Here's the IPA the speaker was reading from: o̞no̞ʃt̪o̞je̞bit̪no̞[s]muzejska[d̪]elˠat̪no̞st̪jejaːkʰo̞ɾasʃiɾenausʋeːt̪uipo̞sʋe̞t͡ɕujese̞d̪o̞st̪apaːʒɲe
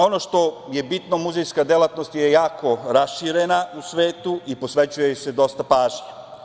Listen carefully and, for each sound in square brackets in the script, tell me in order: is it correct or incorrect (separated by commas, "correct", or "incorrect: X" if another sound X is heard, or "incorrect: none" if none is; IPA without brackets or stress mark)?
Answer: incorrect: none, correct